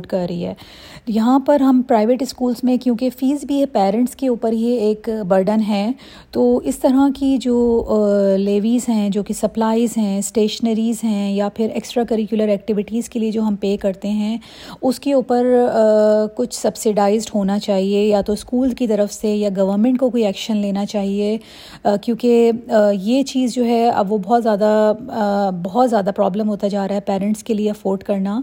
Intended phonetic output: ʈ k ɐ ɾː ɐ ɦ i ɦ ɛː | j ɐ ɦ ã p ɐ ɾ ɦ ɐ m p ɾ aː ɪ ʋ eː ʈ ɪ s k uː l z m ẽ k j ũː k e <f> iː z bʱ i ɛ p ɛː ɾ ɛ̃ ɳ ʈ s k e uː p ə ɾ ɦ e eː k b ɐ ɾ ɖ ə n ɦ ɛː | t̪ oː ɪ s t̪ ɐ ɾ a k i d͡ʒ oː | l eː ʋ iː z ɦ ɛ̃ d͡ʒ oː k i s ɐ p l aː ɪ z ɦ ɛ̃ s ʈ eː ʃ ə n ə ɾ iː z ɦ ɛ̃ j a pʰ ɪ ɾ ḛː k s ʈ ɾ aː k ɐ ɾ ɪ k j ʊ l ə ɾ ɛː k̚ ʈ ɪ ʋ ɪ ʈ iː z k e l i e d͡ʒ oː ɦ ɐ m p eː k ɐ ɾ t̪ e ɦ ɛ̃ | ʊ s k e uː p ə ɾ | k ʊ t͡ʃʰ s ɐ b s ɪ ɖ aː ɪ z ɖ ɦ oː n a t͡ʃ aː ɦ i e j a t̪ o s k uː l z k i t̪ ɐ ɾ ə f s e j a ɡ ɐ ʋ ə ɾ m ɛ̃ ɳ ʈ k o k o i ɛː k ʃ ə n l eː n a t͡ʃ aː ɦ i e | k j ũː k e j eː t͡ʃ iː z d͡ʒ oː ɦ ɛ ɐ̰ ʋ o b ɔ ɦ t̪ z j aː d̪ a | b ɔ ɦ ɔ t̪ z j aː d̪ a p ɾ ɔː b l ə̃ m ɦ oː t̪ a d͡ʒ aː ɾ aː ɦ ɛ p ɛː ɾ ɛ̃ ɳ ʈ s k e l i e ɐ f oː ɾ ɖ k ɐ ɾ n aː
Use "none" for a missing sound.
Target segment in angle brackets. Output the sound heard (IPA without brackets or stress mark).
f